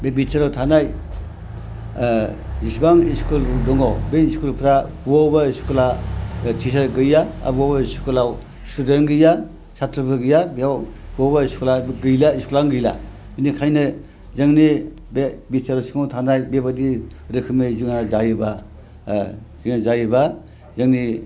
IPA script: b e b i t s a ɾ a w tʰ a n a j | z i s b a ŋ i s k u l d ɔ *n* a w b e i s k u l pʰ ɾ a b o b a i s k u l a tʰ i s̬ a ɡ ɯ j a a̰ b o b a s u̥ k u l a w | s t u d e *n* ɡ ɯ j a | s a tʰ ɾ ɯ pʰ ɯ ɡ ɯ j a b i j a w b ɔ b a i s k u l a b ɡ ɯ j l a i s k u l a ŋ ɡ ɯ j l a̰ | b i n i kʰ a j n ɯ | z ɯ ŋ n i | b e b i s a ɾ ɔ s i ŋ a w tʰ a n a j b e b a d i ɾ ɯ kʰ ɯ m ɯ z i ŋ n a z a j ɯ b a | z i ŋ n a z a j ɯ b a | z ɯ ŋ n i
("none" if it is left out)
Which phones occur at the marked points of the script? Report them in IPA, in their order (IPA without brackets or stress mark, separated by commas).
ŋ, n